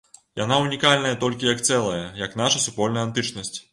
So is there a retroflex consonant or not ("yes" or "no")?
yes